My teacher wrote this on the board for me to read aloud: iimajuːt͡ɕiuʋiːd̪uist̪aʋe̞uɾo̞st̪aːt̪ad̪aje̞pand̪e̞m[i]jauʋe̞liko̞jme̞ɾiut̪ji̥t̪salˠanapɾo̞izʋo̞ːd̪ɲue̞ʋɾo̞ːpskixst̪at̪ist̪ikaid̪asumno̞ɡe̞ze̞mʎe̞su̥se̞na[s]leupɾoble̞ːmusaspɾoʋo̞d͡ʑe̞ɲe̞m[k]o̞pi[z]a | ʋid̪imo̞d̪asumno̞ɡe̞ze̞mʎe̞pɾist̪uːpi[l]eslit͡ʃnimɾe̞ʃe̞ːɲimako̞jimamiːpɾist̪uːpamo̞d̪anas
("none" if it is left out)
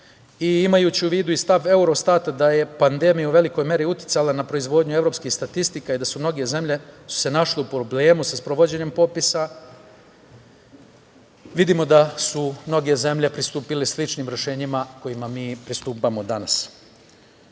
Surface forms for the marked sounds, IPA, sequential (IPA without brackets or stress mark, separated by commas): i, ʃ, p, s, l